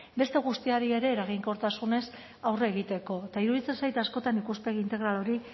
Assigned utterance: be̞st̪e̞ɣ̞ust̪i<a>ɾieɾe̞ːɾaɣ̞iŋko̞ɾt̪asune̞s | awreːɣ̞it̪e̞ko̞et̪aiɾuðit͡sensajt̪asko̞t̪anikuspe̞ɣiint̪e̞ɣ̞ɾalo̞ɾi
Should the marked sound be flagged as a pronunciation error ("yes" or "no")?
no